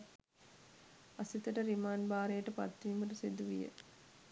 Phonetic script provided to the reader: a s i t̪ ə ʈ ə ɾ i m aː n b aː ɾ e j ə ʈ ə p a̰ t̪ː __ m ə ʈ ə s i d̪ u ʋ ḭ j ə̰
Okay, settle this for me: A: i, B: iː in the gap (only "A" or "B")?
B